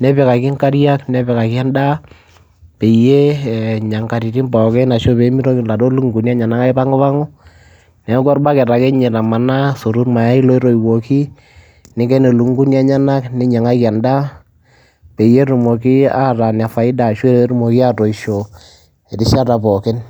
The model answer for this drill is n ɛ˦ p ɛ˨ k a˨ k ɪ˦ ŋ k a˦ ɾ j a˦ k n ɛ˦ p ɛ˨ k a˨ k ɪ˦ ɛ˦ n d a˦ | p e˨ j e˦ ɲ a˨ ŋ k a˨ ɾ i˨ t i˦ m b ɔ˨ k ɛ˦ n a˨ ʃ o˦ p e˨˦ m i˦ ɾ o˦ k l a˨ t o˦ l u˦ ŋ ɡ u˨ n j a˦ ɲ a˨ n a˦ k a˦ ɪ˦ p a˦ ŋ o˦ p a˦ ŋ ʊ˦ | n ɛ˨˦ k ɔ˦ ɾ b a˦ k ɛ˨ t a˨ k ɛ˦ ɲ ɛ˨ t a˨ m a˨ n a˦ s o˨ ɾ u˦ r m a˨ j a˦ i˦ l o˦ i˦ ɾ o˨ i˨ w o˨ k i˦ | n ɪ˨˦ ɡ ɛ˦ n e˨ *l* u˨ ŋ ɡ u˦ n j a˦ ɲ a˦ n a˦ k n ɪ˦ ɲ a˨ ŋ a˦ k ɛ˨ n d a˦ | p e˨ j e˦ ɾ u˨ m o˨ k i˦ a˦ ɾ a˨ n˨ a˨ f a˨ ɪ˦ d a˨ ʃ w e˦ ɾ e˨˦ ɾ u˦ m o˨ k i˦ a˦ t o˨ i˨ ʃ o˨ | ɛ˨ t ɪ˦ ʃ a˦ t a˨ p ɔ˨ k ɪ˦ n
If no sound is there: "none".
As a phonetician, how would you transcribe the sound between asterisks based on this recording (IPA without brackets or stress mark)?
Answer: l